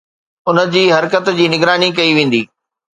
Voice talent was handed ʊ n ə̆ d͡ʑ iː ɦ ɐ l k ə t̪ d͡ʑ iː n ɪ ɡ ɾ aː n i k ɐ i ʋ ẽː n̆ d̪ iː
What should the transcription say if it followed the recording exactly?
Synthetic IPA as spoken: ʊ n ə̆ d͡ʑ iː ɦ ɐ ɾ k ə t̪ d͡ʑ iː n ɪ ɡ ɾ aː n i k ɐ i ʋ ẽː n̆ d̪ iː